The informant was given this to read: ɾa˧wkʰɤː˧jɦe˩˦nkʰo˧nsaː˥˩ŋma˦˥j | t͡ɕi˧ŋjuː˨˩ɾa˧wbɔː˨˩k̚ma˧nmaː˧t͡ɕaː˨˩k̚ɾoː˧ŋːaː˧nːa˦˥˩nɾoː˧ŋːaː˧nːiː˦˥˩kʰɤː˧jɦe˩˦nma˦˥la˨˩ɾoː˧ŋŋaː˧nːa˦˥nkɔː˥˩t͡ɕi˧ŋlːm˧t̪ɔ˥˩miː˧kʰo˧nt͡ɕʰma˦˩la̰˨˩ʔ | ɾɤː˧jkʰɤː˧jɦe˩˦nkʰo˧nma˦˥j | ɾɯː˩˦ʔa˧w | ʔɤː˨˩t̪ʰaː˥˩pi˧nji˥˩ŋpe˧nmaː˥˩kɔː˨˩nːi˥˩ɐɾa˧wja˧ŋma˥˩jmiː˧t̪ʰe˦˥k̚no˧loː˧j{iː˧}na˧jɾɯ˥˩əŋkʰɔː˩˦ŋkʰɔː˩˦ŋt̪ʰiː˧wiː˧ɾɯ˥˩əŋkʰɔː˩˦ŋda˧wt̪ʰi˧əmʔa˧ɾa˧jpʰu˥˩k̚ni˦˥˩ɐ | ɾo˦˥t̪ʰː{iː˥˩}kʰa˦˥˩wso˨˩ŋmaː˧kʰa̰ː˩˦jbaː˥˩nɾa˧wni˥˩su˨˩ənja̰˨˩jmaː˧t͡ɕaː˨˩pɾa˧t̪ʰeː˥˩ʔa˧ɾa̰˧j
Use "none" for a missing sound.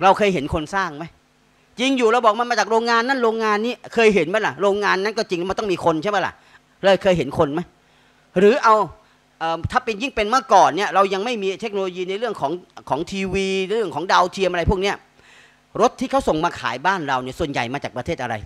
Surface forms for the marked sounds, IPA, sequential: iː˧, iː˥˩

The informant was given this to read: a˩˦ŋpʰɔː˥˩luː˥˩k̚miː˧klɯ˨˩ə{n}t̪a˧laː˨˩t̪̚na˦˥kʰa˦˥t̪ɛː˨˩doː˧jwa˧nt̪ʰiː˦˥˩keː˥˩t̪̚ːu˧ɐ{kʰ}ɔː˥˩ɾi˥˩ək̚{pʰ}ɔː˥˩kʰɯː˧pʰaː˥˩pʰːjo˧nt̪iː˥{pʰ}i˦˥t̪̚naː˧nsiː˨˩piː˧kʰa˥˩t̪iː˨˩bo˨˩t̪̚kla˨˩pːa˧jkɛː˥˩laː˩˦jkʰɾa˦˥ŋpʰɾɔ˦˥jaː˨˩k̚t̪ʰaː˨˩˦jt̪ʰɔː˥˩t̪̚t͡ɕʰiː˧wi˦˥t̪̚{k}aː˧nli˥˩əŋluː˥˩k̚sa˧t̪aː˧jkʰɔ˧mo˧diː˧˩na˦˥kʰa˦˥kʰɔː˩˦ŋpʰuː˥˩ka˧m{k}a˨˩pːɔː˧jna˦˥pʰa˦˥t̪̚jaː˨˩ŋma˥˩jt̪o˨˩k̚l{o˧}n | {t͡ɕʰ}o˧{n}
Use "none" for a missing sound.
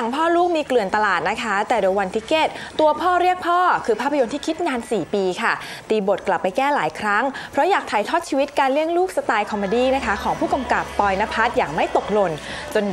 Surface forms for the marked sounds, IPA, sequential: n, pʰ, pʰ, kʰ, k, k, o˧, t͡ɕ, n

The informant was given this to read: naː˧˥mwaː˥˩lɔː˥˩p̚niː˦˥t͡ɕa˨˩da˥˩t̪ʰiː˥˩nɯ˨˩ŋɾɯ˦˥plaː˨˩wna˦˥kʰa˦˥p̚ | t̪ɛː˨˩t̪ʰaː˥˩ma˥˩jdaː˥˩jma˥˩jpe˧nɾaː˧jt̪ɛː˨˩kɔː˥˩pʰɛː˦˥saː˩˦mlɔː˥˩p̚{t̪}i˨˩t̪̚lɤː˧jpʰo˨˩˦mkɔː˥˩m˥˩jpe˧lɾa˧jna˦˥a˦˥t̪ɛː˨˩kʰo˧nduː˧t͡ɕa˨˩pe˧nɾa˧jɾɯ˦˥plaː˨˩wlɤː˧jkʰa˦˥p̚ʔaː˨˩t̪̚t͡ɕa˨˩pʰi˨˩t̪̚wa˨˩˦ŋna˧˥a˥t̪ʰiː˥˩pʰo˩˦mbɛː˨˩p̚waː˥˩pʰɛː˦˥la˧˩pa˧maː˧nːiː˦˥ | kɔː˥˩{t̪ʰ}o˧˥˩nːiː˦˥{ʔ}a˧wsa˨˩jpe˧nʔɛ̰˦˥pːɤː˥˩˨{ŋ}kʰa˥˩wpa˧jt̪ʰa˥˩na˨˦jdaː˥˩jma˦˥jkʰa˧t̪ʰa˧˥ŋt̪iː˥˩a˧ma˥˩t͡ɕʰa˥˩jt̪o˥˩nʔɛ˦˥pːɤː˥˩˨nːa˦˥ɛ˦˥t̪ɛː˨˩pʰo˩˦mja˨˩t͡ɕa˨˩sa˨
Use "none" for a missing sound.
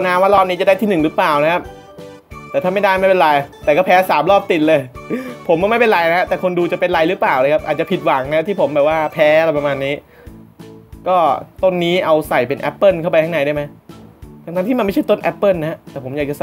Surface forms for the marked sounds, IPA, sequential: t̪, t̪, ʔ, n

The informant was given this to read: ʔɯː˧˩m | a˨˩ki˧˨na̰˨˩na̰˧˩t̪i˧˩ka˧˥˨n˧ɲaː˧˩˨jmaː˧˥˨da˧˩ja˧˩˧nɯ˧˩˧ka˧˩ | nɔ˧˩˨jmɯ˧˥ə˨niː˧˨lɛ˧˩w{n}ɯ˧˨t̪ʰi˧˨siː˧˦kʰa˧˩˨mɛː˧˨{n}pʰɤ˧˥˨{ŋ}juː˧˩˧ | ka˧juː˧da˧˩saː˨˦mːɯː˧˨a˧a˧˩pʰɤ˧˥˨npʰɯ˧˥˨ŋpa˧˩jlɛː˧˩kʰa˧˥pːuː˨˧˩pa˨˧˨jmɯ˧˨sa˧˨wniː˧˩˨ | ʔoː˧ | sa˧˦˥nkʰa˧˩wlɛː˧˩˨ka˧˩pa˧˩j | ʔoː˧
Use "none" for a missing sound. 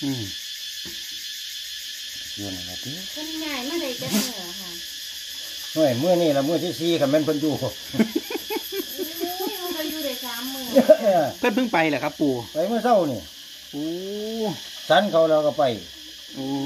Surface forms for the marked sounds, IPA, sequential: m, n, n

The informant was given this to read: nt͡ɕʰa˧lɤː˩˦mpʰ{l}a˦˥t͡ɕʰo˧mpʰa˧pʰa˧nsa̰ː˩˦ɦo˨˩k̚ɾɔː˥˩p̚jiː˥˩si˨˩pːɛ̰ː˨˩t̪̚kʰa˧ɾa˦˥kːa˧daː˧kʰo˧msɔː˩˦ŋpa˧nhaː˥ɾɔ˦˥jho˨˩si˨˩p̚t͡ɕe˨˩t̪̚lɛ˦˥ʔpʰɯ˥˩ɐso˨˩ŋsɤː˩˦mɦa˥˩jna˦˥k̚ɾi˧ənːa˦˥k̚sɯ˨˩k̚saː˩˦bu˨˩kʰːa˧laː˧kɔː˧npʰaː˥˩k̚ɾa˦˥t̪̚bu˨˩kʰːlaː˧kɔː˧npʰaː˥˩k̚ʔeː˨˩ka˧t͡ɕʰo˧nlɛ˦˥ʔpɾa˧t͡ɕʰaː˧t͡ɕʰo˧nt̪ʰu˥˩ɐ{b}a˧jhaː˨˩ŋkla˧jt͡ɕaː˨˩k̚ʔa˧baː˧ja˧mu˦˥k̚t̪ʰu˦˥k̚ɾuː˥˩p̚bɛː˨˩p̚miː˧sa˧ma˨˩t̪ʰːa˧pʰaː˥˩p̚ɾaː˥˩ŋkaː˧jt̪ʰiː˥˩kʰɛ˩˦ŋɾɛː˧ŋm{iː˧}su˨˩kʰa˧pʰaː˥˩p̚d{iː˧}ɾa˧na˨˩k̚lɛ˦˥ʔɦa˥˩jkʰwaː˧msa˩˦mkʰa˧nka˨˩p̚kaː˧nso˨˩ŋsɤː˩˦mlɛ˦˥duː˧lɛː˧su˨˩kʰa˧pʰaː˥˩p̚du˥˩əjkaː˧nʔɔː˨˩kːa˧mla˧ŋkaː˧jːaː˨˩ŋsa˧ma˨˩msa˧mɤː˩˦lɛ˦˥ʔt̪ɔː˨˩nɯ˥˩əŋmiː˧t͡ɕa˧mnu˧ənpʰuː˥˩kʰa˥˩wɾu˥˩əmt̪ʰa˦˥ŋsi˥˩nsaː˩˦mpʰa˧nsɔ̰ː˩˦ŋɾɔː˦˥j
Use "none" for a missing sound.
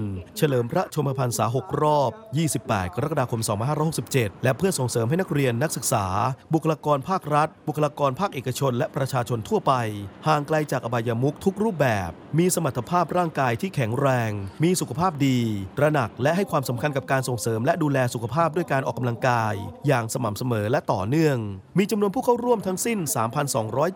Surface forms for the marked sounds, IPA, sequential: ɾ, p, iː˧, iː˧

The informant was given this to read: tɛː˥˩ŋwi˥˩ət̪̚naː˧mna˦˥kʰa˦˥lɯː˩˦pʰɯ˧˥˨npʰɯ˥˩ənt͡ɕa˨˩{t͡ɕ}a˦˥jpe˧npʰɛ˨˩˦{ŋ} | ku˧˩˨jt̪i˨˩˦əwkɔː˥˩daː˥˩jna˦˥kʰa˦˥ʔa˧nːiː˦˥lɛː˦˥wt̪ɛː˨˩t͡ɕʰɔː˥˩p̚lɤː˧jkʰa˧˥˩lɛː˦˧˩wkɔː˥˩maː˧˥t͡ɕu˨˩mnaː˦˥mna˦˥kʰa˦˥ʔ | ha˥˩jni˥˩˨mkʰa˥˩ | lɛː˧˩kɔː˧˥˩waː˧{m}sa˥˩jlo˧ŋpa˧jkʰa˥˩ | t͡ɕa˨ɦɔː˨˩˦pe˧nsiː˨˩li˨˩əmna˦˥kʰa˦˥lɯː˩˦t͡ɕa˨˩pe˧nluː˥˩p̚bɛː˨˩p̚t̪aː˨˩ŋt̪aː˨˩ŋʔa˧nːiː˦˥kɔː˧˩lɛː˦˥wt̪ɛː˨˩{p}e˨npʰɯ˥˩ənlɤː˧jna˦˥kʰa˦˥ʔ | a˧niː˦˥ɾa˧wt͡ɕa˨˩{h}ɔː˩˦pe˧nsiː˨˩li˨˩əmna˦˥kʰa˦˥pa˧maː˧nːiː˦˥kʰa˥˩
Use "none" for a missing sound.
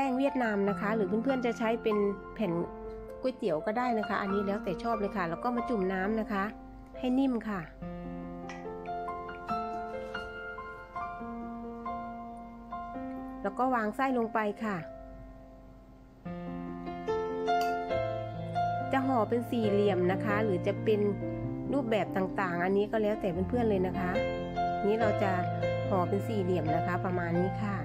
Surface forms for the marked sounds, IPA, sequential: t͡ɕʰ, n, ŋ, p, h

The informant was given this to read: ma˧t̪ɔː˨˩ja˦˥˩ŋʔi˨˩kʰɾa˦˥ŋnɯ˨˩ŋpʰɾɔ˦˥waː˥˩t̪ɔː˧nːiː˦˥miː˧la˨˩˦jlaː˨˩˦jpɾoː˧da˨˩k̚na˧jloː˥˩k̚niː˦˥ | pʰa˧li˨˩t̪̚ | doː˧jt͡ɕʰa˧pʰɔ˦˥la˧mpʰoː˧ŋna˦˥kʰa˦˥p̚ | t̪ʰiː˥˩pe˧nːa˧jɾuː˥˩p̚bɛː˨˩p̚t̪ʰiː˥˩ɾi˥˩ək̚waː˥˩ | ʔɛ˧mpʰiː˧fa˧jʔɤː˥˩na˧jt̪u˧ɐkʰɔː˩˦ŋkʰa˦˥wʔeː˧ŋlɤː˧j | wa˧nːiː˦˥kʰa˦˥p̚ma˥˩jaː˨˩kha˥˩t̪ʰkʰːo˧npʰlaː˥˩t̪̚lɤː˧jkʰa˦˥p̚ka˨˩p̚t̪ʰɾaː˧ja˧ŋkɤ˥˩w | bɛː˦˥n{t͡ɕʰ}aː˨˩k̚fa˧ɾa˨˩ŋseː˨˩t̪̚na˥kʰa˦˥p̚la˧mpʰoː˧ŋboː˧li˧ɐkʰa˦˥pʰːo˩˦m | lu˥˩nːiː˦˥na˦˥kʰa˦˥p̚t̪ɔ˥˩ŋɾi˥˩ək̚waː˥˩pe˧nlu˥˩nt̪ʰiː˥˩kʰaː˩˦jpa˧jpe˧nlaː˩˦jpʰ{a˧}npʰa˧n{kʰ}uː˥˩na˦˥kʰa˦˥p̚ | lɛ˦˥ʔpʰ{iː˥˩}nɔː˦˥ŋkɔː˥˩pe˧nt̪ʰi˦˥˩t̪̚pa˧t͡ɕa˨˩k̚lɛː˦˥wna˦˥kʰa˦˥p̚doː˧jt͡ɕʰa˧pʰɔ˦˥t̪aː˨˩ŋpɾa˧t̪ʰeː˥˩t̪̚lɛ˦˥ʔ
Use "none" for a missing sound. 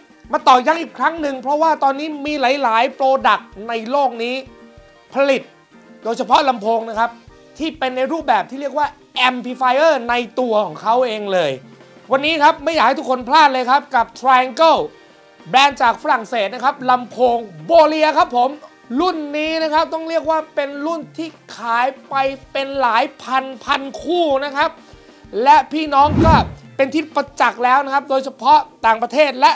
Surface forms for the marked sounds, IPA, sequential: t͡ɕ, a˧, kʰ, iː˥˩

